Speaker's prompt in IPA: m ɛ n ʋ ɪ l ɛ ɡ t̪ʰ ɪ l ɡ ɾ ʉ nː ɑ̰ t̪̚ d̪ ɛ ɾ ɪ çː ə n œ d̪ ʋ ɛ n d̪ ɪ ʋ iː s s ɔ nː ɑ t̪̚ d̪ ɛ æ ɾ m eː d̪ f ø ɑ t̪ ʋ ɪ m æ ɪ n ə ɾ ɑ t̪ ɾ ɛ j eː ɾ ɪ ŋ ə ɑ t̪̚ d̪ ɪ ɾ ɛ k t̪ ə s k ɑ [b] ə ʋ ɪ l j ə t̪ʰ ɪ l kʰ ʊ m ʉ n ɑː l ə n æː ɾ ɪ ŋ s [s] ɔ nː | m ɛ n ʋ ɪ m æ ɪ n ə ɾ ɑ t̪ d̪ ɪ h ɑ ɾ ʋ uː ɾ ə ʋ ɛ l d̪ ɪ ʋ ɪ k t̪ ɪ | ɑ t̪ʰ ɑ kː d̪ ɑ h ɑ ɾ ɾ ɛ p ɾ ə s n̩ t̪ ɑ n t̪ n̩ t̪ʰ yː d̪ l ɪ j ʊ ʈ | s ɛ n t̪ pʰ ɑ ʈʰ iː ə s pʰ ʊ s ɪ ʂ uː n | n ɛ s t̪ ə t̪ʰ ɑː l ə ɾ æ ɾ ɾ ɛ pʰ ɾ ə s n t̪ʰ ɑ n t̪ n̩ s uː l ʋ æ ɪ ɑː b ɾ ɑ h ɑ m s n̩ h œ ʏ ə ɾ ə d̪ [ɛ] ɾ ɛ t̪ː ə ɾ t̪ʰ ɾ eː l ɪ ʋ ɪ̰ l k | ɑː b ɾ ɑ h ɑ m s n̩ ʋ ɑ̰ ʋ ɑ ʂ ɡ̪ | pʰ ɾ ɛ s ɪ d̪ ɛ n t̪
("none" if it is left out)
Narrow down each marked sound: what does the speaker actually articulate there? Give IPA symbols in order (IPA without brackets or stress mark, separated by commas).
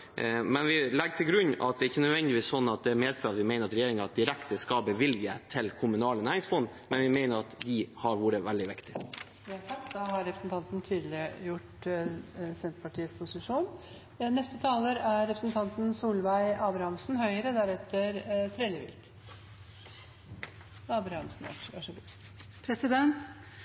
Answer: b, f, æ